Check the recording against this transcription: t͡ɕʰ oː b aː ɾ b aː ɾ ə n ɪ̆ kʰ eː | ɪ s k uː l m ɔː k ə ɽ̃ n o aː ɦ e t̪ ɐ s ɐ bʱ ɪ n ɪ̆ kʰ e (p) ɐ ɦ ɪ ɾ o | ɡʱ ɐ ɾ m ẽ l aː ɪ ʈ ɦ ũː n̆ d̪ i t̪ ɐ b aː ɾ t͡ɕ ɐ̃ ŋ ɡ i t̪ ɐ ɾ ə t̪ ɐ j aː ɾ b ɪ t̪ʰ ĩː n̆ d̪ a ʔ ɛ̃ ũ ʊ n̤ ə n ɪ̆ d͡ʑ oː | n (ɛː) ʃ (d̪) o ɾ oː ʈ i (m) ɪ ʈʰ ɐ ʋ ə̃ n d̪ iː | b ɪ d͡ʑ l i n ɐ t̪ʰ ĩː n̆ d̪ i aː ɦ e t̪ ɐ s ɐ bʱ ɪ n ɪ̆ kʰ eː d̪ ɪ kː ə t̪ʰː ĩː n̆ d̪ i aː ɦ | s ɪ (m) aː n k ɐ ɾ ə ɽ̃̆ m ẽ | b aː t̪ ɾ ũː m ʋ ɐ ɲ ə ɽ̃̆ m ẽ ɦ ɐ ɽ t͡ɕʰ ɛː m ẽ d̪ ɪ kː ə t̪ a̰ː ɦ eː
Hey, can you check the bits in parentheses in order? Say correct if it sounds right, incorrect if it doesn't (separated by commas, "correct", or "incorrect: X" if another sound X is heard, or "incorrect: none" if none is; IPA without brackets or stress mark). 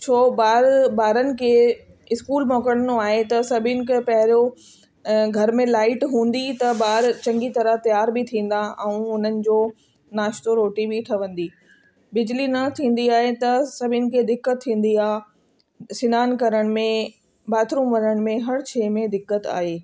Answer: correct, incorrect: aː, incorrect: t̪, incorrect: b, incorrect: n